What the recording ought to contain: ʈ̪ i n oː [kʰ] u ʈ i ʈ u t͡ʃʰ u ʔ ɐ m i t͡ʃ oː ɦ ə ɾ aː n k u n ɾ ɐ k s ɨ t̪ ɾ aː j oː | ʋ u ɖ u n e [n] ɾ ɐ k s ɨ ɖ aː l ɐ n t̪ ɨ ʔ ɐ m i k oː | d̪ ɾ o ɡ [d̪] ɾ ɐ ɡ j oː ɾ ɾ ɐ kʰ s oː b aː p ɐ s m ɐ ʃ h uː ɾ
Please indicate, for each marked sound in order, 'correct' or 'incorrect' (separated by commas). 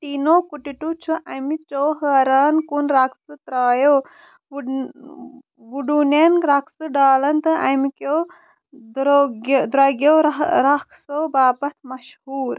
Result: incorrect, correct, correct